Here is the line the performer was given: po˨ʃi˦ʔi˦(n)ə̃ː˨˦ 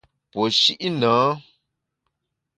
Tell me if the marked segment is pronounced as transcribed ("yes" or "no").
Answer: yes